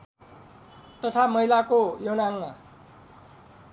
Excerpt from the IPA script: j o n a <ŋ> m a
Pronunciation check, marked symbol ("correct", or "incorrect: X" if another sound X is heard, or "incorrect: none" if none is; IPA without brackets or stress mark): correct